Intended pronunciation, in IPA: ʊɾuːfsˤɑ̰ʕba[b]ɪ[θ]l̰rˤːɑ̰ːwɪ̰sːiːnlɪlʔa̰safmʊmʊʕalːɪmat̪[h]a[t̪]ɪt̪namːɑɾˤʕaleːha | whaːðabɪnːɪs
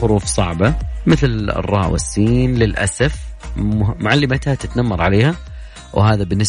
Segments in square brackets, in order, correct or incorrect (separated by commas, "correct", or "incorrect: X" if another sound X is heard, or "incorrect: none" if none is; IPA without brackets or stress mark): incorrect: m, correct, correct, correct